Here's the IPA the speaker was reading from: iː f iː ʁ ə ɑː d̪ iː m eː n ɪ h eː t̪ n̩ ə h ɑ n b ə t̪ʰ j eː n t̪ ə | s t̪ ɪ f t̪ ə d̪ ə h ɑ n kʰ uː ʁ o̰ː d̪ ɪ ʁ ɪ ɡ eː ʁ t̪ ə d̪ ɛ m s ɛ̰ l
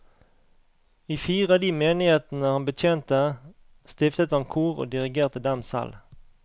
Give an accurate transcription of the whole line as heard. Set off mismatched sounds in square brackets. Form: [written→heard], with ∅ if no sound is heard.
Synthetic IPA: iː f iː ʁ ə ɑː d̪ iː m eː n ɪ h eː t̪ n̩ ə h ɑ n b ə t̪ʰ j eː n t̪ ə | s t̪ ɪ f t̪ ə [d̪→t̪] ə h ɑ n kʰ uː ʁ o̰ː d̪ ɪ ʁ ɪ ɡ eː ʁ t̪ ə d̪ ɛ m s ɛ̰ l